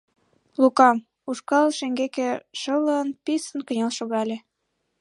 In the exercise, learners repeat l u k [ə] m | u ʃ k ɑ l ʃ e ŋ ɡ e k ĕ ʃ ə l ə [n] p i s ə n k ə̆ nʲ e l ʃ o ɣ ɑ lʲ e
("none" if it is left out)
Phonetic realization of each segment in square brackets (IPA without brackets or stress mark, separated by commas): ɑ, n